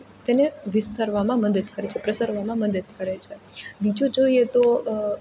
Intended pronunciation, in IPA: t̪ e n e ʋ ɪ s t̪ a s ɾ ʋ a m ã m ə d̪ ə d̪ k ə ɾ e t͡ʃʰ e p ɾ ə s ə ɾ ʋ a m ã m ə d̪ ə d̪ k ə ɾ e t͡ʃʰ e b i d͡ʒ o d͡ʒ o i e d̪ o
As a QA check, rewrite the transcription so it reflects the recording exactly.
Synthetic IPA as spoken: t̪ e n e ʋ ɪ s t̪ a ɾ ʋ a m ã m ə d̪ ə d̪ k ə ɾ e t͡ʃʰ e p ɾ ə s ə ɾ ʋ a m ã m ə d̪ ə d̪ k ə ɾ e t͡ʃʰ e b i d͡ʒ o d͡ʒ o i e t̪ o

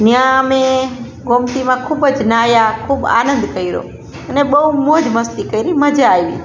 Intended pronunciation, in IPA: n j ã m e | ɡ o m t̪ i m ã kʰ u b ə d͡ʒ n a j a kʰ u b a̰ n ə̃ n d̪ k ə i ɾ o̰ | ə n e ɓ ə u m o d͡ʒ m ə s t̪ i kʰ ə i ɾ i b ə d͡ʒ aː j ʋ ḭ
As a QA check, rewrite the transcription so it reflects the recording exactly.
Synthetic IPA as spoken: n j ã m e | ɡ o m t̪ i m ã kʰ u b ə d͡ʒ n a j a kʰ u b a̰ n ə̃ n d̪ k ə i ɾ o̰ | ə n e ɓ ə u m o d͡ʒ m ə s t̪ i k ə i ɾ i m ə d͡ʒ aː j ʋ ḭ

